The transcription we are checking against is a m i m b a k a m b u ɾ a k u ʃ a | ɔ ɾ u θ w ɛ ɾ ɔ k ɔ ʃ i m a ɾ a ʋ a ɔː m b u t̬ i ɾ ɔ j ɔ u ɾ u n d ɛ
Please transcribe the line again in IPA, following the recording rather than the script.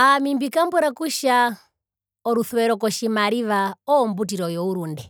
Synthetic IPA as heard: a m i m b i k a m b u ɾ a k u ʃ a | ɔ ɾ u θ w ɛ ɾ ɔ k ɔ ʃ i m a ɾ i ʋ a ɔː m b u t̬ i ɾ ɔ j ɔ u ɾ u n d ɛ